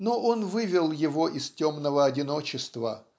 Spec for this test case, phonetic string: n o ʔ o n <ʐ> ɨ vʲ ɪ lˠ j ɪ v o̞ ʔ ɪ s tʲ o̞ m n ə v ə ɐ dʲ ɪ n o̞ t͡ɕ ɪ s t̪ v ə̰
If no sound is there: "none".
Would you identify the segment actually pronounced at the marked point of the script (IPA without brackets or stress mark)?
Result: v